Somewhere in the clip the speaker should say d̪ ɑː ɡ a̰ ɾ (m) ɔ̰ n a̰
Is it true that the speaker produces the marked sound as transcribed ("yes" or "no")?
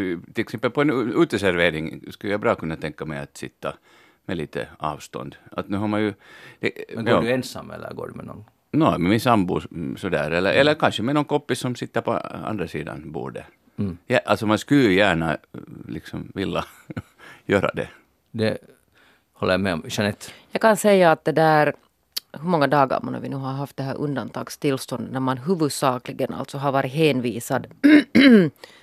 yes